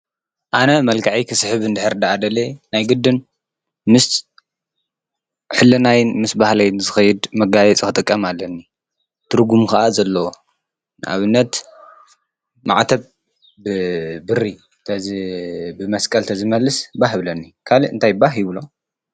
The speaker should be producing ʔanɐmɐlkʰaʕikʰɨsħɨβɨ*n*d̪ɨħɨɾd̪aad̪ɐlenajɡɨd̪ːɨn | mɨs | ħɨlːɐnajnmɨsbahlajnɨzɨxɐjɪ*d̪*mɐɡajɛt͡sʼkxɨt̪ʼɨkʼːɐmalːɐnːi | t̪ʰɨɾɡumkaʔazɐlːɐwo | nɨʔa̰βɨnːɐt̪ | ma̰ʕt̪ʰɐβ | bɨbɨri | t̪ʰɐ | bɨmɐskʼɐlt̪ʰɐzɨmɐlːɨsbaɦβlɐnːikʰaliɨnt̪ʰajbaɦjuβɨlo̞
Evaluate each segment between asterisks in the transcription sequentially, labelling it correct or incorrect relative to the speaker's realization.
correct, correct

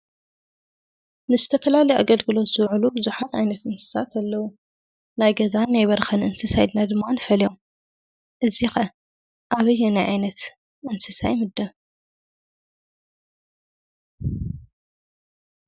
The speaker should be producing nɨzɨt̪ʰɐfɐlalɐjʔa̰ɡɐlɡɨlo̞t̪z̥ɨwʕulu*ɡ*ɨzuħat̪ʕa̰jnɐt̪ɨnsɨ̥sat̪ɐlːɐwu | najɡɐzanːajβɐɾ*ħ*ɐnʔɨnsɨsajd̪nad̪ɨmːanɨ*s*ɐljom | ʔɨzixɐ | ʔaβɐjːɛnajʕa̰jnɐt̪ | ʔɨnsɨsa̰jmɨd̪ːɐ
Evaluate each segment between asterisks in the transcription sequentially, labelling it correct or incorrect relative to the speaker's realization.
incorrect: b, incorrect: x, incorrect: f

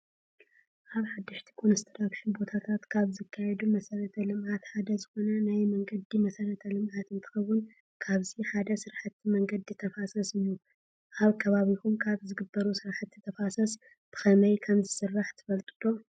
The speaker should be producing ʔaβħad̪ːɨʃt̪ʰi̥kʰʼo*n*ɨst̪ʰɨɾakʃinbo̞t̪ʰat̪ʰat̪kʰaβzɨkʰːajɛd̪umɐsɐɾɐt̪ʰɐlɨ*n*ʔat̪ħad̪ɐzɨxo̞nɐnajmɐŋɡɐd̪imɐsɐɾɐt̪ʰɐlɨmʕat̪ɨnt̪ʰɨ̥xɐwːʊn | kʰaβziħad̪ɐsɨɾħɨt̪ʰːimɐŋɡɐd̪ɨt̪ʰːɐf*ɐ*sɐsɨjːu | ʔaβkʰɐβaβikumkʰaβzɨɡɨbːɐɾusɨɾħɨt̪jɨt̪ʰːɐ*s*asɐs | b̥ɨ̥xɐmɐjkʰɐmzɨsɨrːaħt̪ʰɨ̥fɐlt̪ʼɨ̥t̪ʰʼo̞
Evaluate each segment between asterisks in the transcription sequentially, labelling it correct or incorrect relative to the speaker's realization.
correct, incorrect: m, incorrect: a, incorrect: f

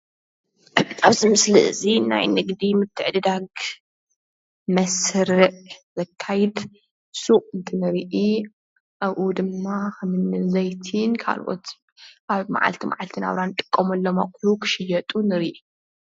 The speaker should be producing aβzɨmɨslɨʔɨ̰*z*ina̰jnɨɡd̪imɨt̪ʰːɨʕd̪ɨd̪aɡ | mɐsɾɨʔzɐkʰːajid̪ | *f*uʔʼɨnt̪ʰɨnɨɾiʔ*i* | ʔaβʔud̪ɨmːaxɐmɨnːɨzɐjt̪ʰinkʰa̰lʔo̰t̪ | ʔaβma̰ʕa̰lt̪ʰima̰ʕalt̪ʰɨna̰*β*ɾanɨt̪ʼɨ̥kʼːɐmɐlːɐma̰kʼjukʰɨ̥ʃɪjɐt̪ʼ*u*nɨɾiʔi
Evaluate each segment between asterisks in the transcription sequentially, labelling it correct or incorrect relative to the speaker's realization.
correct, incorrect: s, correct, correct, correct

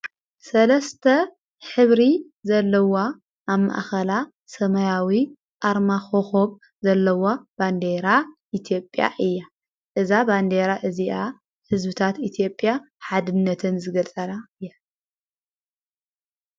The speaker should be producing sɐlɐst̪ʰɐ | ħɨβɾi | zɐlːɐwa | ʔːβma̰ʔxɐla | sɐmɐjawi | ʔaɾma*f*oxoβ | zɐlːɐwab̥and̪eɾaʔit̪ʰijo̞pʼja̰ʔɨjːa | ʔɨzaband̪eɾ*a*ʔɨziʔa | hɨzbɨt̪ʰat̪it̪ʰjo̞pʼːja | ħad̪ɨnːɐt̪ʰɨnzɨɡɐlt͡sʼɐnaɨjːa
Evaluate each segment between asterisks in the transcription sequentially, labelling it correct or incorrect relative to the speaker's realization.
incorrect: x, correct

